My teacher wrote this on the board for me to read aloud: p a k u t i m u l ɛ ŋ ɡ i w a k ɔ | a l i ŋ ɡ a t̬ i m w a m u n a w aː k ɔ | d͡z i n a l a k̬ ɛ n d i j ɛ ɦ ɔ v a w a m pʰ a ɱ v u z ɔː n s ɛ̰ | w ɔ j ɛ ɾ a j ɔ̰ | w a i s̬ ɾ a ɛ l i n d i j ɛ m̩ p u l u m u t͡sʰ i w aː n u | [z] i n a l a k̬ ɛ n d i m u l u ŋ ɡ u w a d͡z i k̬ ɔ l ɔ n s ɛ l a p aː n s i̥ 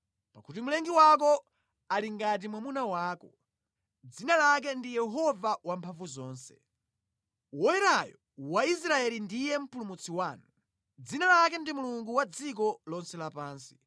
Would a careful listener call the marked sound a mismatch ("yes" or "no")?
yes